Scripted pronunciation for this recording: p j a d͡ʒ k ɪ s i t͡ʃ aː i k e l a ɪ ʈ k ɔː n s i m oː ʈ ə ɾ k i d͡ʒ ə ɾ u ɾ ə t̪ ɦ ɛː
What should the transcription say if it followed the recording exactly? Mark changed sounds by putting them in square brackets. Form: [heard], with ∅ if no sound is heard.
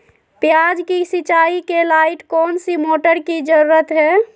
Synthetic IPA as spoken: p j a d͡ʒ k [i] s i t͡ʃ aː i k e l a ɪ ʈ k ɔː n s i m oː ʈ ə ɾ k i d͡ʒ ə ɾ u ɾ ə t̪ ɦ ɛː